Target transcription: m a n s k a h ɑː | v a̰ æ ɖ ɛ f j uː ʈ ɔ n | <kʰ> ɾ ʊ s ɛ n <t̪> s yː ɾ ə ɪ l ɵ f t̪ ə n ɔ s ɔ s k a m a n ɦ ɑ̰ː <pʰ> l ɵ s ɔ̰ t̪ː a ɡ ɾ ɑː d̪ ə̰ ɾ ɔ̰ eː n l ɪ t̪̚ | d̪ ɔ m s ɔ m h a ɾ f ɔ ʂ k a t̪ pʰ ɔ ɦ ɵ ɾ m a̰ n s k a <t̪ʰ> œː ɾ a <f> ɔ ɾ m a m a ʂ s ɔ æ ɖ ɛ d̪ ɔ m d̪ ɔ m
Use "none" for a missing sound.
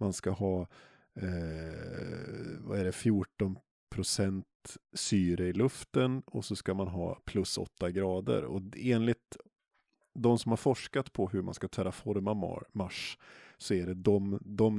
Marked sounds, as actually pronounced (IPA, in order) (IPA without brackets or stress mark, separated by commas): pʰ, t̪, pʰ, t̪ʰ, f